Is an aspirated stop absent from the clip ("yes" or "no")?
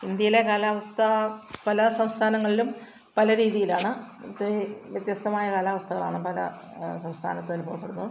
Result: no